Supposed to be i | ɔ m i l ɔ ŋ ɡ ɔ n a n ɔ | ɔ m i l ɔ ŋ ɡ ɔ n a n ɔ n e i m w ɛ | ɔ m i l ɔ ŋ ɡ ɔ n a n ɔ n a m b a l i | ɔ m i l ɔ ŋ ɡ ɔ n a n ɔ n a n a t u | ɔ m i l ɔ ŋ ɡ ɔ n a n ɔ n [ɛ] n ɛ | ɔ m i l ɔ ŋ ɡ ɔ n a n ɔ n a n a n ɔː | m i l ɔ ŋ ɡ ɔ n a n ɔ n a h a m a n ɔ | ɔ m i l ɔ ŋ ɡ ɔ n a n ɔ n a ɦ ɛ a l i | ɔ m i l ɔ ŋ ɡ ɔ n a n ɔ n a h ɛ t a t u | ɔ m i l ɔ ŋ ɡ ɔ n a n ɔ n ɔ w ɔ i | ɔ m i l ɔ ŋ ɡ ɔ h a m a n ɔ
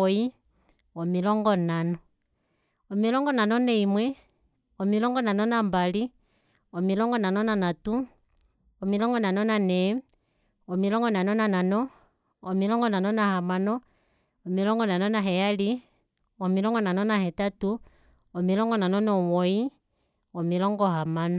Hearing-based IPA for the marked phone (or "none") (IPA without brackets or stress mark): a